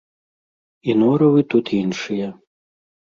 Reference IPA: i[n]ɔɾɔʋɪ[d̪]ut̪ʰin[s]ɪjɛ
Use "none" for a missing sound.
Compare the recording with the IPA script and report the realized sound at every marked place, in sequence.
n, t̪, ʃ

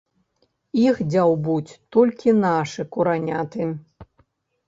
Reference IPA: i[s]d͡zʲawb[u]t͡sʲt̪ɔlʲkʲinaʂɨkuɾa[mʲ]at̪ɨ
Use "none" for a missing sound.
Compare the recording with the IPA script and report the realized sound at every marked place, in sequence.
x, u, nʲ

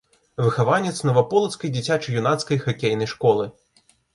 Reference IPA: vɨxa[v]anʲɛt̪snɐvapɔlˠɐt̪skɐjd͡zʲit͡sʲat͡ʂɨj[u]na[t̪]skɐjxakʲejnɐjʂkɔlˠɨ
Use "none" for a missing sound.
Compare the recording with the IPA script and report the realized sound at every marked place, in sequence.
v, u, t̪

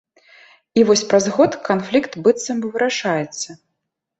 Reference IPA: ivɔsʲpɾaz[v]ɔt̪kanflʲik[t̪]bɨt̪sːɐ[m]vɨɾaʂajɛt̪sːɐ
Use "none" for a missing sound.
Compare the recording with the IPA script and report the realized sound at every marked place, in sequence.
ɣ, t̪, m

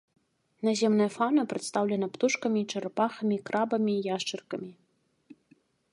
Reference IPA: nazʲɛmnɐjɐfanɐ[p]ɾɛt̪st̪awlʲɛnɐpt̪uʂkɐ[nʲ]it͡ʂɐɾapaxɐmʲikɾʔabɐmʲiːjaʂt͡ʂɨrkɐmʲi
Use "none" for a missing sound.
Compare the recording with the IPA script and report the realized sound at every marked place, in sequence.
p, mʲ

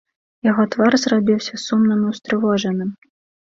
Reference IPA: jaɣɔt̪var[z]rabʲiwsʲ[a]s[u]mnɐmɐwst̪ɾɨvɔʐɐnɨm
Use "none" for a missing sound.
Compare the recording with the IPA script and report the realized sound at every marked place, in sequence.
z, ɐ, u

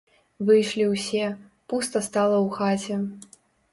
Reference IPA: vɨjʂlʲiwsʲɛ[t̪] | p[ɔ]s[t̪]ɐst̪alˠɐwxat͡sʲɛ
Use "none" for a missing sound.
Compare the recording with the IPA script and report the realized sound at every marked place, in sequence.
none, u, t̪

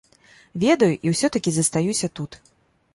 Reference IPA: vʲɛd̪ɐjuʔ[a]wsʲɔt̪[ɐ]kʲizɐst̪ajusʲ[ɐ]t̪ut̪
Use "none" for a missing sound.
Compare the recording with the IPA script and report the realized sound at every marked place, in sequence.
i, ɐ, ɐ

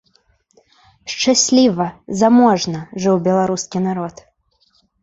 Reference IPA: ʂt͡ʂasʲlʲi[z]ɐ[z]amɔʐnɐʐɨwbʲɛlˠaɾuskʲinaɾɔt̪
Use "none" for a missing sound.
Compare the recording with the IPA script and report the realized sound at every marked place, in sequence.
v, z

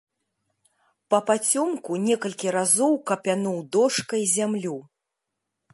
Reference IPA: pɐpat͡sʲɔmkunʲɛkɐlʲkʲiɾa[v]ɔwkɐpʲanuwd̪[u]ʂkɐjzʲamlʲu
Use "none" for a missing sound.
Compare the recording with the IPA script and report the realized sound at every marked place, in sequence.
z, ɔ

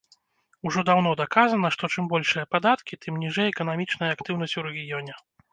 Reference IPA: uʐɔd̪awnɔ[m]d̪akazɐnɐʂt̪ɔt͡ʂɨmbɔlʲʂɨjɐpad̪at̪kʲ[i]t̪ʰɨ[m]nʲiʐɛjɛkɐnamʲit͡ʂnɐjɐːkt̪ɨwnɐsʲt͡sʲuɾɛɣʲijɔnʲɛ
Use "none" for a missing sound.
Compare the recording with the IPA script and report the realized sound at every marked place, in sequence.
none, i, m

